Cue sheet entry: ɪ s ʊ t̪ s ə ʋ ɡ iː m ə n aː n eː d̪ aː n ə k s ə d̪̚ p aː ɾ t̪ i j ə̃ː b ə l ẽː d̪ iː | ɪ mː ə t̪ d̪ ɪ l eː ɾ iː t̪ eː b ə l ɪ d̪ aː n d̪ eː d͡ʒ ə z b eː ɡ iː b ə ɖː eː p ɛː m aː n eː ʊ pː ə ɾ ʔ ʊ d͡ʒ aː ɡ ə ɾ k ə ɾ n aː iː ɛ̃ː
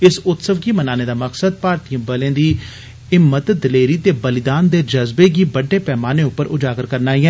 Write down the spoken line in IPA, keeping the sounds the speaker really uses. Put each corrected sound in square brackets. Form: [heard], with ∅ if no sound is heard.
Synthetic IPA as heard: ɪ s ʊ t̪ s ə ʋ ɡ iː m ə n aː n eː d̪ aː [m] ə k s ə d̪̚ p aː ɾ t̪ i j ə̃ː b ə l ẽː d̪ iː | ɪ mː ə t̪ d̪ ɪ l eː ɾ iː t̪ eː b ə l ɪ d̪ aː n d̪ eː d͡ʒ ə z b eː ɡ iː b ə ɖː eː p ɛː m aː n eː ʊ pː ə ɾ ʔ ʊ d͡ʒ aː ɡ ə ɾ k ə ɾ n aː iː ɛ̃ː